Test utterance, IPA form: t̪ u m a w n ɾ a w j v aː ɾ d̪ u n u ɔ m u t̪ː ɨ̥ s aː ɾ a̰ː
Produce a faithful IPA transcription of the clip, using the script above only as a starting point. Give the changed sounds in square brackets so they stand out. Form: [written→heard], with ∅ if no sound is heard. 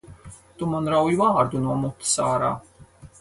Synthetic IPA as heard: t̪ u m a [w→∅] n ɾ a w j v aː ɾ d̪ u n u ɔ m u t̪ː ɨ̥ s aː ɾ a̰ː